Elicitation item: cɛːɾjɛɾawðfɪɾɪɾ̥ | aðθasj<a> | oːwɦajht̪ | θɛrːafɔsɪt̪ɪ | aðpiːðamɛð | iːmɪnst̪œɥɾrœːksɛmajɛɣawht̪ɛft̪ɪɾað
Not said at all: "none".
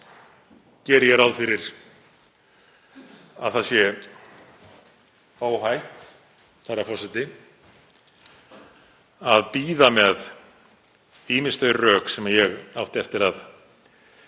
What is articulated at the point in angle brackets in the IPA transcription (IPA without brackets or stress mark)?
ɛ